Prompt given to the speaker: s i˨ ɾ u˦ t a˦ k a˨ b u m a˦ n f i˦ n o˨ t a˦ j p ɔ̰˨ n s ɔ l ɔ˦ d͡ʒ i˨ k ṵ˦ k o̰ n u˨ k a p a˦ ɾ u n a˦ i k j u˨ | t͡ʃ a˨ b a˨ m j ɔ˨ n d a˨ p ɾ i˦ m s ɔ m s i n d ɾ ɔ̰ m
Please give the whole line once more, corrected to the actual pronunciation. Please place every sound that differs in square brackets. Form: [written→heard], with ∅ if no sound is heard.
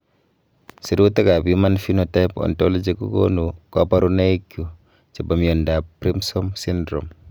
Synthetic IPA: s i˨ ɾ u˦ t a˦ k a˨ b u m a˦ n f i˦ n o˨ t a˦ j p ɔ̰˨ n [s→t] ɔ l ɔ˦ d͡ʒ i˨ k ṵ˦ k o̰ n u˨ k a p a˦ ɾ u n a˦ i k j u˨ | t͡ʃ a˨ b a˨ m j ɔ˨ n d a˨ p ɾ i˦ m s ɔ m s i n d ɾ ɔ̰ m